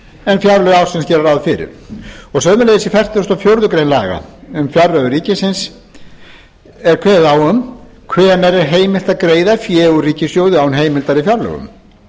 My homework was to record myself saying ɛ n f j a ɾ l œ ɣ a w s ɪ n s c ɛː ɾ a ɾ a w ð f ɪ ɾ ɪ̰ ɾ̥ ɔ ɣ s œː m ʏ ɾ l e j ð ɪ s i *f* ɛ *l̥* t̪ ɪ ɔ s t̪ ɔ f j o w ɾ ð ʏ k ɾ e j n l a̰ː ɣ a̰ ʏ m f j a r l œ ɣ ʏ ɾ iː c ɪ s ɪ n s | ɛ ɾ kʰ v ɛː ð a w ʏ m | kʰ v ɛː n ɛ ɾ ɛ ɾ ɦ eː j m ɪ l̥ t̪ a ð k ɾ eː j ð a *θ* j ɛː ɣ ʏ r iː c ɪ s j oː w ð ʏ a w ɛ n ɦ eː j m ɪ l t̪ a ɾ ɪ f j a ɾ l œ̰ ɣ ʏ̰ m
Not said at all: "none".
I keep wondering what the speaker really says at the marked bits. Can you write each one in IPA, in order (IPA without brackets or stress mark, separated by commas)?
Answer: f, r̥, f